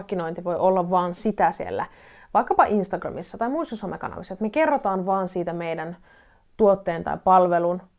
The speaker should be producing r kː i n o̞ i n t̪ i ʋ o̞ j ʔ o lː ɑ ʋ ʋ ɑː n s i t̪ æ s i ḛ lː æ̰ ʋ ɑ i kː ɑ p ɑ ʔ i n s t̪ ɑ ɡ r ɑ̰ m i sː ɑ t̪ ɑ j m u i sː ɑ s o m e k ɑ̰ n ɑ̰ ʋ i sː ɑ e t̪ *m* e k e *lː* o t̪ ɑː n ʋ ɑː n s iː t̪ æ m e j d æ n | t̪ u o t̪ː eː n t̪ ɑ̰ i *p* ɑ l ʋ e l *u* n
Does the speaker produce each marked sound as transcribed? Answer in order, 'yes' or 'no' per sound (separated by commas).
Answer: yes, no, yes, yes